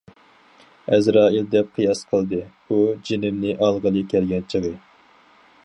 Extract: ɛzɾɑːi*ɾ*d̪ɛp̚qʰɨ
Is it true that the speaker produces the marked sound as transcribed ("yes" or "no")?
no